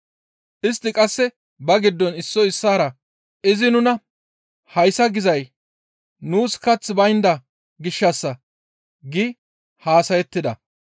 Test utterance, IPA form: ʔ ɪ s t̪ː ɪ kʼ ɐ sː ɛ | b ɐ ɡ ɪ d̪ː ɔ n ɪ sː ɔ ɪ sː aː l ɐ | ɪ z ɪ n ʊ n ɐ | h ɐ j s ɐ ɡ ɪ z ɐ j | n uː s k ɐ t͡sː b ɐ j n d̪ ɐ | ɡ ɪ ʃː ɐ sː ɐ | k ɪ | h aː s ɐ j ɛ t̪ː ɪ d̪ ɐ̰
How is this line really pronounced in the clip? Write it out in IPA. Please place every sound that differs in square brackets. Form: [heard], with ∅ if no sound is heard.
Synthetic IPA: ʔ ɪ s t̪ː ɪ kʼ ɐ sː ɛ | b ɐ ɡ ɪ d̪ː ɔ n ɪ sː ɔ ɪ sː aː [ɾ] ɐ | ɪ z ɪ n ʊ n ɐ | h ɐ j s ɐ ɡ ɪ z ɐ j | n uː s k ɐ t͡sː b ɐ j n d̪ ɐ | ɡ ɪ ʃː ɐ sː ɐ | [ɡ] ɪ | h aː s ɐ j ɛ t̪ː ɪ d̪ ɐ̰

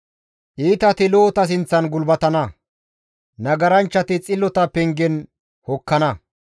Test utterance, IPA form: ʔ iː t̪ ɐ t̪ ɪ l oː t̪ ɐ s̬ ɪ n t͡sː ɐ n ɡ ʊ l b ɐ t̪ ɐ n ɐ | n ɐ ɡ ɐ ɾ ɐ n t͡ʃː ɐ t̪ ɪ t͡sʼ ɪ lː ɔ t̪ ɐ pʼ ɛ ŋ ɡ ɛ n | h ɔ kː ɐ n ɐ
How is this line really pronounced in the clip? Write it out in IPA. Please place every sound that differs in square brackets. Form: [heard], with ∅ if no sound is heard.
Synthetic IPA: ʔ iː t̪ ɐ t̪ ɪ l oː t̪ ɐ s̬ ɪ n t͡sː ɐ n ɡ ʊ l b ɐ t̪ ɐ n ɐ | n ɐ ɡ ɐ ɾ ɐ n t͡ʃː ɐ t̪ ɪ t͡sʼ ɪ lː ɔ t̪ ɐ [p] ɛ ŋ ɡ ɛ n | h ɔ kː ɐ n ɐ

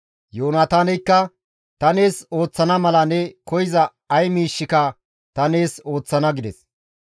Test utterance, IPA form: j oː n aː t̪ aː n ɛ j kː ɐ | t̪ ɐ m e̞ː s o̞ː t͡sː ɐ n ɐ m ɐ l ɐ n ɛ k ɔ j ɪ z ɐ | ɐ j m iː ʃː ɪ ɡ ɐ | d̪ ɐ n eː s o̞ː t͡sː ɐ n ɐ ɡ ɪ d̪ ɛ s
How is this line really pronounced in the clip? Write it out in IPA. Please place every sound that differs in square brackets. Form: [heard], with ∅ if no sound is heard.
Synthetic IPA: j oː n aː t̪ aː n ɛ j kː ɐ | t̪ ɐ [n] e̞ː s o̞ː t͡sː ɐ n ɐ m ɐ l ɐ n ɛ k ɔ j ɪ z ɐ | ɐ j m iː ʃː ɪ [k] ɐ | [t̪] ɐ n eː s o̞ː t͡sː ɐ n ɐ ɡ ɪ d̪ ɛ s

